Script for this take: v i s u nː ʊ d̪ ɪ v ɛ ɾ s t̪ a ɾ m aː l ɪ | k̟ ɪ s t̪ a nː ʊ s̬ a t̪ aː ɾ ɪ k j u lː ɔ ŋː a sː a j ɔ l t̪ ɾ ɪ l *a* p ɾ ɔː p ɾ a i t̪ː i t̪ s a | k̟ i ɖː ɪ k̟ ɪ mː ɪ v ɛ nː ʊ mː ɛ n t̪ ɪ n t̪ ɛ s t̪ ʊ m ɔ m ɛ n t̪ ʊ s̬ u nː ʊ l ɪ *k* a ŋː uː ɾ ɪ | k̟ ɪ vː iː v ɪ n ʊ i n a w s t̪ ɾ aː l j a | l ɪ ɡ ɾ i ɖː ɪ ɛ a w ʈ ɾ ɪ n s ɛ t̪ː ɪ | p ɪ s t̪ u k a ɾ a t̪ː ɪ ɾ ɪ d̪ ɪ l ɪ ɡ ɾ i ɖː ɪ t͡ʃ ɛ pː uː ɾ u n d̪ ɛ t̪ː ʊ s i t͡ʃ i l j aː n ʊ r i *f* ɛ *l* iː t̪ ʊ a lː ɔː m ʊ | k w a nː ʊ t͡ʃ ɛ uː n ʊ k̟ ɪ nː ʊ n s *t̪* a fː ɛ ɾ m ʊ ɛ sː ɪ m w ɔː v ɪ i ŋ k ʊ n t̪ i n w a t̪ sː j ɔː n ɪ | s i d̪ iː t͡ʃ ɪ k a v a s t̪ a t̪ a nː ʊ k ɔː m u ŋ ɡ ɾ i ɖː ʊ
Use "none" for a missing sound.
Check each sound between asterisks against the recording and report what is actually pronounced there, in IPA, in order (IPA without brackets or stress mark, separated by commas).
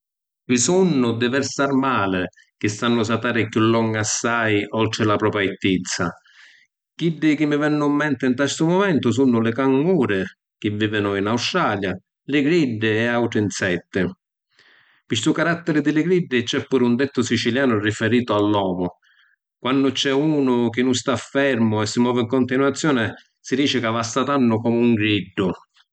a, k, f, ɾ, t̪